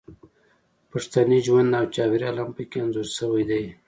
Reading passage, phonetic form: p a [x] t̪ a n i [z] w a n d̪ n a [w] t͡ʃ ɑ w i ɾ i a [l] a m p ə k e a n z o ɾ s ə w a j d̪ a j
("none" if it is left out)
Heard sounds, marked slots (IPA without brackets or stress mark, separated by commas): ʂ, ʒ, w, l